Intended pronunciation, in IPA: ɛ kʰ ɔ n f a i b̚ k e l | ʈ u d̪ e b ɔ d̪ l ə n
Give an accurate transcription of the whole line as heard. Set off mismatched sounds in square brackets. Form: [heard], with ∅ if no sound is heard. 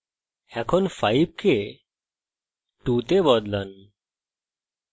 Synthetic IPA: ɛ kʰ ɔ n f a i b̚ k e [∅] | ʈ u [t̪] e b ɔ d̪ l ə n

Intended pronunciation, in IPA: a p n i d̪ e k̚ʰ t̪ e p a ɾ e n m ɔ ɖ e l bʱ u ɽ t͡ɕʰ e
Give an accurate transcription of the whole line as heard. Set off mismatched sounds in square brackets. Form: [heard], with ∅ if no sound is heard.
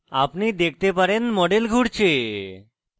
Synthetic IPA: a p n i d̪ e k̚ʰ t̪ e p a ɾ e n m ɔ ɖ e l [ɡʱ] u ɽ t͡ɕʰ e

